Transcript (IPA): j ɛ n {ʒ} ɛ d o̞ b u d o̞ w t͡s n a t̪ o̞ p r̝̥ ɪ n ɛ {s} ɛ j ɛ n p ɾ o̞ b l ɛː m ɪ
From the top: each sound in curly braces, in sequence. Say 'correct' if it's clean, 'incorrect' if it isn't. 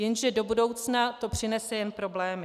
correct, correct

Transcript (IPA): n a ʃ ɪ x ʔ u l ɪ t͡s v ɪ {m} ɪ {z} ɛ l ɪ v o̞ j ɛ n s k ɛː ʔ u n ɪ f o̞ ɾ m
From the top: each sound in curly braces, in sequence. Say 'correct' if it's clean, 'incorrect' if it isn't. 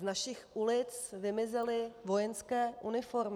correct, correct

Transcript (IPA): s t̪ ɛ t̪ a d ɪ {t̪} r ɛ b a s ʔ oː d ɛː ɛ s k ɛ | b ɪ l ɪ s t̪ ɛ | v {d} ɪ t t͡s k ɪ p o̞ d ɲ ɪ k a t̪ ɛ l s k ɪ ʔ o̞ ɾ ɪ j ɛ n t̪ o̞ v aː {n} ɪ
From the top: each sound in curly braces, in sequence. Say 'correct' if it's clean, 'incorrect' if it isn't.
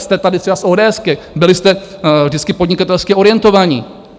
correct, correct, incorrect

